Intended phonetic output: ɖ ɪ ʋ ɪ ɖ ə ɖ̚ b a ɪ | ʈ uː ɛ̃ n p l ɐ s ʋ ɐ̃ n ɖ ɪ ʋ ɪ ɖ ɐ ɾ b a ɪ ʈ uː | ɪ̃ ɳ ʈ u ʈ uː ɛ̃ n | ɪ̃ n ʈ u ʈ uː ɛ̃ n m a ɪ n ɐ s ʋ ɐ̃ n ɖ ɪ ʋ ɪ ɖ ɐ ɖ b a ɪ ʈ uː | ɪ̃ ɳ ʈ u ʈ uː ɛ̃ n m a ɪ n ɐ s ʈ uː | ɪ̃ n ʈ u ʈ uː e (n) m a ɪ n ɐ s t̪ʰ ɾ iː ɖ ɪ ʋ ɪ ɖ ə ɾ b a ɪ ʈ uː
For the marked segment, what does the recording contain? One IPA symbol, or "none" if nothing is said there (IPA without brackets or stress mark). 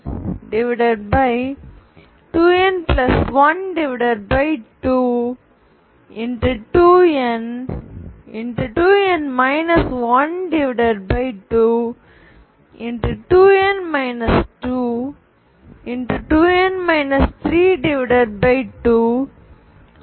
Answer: n